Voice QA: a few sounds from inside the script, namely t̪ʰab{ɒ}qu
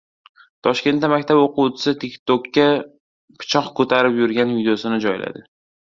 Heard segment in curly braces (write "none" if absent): o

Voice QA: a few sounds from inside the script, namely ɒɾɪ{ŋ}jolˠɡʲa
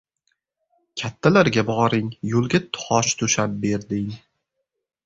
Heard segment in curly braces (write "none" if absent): ŋ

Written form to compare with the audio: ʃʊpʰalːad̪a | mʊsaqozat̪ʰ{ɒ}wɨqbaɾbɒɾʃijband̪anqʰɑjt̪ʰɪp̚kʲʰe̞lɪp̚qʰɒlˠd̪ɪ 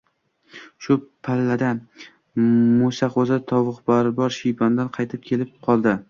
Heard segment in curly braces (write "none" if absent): ɒ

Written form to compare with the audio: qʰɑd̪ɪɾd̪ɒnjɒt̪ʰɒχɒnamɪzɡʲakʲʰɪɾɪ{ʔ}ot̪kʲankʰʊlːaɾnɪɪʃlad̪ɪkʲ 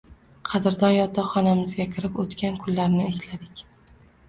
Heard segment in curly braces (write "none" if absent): p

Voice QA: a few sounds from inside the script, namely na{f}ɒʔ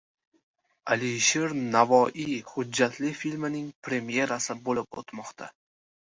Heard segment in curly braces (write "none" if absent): v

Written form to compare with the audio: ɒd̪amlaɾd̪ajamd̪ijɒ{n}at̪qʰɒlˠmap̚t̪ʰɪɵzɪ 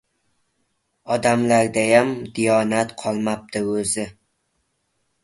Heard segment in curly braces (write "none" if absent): n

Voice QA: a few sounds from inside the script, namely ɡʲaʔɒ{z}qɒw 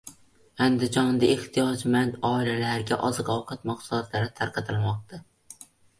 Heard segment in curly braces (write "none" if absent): z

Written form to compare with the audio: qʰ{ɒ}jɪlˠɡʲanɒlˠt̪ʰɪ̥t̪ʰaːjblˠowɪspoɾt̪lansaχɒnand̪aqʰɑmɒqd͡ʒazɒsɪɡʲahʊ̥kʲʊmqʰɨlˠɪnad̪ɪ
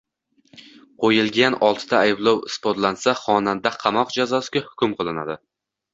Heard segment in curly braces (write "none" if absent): o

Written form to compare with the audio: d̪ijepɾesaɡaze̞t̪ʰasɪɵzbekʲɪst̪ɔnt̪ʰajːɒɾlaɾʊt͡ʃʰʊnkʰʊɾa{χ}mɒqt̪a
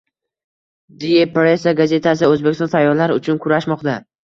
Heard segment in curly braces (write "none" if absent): ʃ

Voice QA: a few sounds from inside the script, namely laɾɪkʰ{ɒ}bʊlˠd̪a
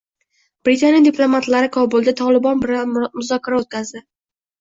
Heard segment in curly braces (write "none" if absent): ɒ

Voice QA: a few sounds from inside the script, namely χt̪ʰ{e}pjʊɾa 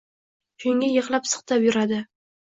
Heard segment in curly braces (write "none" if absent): a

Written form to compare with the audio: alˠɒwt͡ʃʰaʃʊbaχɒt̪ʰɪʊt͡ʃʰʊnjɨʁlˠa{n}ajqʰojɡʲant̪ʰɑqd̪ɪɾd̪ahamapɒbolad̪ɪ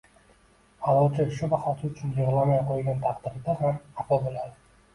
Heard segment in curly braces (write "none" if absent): m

